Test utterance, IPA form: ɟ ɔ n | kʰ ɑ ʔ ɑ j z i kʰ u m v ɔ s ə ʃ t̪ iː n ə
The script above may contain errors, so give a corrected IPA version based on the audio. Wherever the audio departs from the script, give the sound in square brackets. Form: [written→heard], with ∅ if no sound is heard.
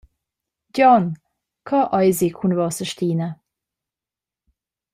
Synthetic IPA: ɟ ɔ n | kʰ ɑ ʔ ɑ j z i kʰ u [m→n] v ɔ s ə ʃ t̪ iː n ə